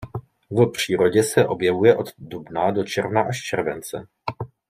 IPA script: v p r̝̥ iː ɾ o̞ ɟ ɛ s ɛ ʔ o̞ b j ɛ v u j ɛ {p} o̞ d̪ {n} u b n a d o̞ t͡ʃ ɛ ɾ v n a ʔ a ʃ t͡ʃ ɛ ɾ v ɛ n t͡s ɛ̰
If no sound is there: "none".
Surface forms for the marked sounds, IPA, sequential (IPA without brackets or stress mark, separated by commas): ʔ, d